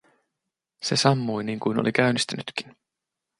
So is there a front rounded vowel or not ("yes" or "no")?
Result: yes